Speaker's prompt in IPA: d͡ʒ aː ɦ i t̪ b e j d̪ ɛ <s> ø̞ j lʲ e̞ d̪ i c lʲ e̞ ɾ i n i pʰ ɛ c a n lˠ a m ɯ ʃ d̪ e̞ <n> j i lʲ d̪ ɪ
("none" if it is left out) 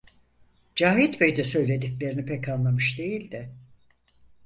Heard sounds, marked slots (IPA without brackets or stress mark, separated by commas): s, none